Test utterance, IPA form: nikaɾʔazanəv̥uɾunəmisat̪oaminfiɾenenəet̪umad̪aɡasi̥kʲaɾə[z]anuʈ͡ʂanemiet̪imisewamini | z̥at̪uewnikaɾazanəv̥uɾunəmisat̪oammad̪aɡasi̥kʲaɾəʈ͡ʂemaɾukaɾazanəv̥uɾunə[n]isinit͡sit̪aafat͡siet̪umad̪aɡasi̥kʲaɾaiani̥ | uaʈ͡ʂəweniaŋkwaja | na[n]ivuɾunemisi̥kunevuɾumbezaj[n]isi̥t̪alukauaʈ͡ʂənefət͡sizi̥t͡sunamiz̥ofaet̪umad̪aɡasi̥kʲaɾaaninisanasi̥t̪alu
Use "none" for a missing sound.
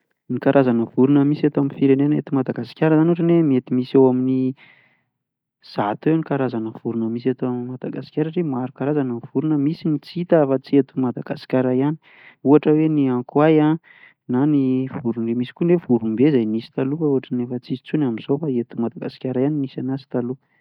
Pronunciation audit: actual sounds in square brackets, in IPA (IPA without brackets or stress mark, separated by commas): z, m, n, n